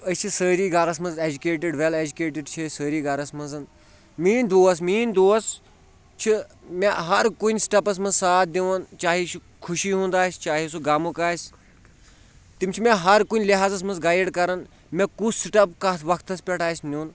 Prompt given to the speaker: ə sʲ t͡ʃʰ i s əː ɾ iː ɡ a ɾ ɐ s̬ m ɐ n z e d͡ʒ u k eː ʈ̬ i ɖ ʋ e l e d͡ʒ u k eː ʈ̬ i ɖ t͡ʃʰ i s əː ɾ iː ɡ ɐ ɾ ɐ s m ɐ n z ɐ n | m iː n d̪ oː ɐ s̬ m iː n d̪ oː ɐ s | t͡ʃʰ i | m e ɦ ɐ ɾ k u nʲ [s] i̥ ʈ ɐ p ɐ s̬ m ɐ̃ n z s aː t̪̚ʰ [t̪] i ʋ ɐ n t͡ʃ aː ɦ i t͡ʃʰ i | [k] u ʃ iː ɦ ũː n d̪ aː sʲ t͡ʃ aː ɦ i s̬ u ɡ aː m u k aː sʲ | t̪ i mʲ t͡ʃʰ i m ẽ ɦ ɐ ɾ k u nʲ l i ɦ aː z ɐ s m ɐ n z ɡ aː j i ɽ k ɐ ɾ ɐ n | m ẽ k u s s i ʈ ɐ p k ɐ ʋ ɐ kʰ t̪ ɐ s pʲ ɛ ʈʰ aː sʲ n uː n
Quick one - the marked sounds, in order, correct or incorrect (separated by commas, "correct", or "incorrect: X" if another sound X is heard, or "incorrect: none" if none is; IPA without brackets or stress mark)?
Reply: correct, incorrect: d̪, incorrect: kʰ